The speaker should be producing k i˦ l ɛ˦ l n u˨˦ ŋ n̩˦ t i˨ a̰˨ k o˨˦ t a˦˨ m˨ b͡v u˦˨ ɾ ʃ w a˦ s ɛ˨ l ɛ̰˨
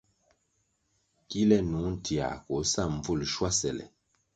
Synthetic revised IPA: k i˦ l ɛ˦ n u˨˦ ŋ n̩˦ t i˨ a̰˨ k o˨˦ s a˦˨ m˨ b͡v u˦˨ l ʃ w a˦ s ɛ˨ l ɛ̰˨